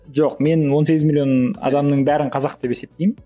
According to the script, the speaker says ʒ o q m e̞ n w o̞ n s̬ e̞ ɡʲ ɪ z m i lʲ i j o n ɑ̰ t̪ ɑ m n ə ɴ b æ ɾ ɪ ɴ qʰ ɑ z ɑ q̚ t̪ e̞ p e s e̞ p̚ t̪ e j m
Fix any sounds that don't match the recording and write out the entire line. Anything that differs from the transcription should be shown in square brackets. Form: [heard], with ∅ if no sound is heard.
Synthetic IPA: ʒ o q m e̞ n w o̞ n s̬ e̞ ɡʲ ɪ z m i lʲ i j o n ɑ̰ [d̪] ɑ m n ə ɴ b æ ɾ ɪ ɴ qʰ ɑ z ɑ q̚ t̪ e̞ p e s e̞ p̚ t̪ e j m